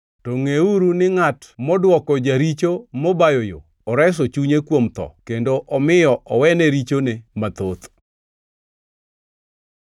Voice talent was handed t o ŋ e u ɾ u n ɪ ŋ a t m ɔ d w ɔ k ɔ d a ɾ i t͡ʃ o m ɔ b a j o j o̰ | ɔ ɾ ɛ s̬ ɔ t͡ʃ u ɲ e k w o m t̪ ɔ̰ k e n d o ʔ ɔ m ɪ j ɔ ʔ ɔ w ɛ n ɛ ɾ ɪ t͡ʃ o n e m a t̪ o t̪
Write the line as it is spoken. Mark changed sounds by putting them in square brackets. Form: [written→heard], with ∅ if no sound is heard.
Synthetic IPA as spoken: t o ŋ e u ɾ u n ɪ ŋ a t m ɔ d w ɔ k ɔ [d→d͡ʒ] a ɾ i t͡ʃ o m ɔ b a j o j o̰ | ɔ ɾ ɛ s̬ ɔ t͡ʃ u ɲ e k w o m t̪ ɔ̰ k e n d o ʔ ɔ m ɪ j ɔ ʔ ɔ w ɛ n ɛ ɾ [ɪ→i] t͡ʃ o n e m a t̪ o t̪